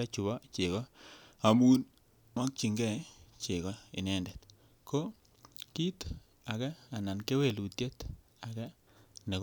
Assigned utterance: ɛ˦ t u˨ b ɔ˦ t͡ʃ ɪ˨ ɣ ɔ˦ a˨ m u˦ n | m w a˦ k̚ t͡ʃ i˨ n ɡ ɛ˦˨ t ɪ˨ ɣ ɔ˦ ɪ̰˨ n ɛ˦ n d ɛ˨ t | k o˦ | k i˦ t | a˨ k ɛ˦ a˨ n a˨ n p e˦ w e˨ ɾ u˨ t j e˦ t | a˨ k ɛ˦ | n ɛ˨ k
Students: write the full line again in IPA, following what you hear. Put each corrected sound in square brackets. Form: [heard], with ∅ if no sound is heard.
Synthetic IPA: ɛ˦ [t͡ʃ] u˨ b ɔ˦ t͡ʃ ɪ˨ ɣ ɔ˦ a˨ m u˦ n | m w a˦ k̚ t͡ʃ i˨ [ŋ] ɡ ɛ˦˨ [t͡ʃ] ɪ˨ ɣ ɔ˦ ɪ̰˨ n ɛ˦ n d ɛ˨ t | k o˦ | k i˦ t | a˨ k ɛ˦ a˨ n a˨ n [k] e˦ w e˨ [l] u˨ t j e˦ t | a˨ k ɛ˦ | n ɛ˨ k